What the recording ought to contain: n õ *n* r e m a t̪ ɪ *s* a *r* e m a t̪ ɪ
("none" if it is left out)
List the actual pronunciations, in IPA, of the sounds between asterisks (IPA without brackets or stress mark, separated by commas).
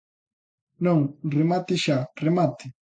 ŋ, ʃ, r